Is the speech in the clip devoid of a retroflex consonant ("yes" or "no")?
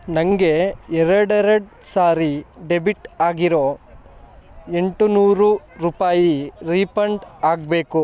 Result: no